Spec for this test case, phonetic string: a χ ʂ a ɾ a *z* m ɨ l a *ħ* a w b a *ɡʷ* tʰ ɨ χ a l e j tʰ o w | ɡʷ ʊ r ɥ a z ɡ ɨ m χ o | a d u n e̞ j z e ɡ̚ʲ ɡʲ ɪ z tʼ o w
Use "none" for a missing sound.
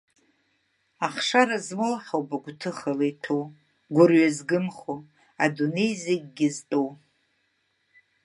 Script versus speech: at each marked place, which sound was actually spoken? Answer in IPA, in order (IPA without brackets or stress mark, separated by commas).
z, ħ, ɡʷ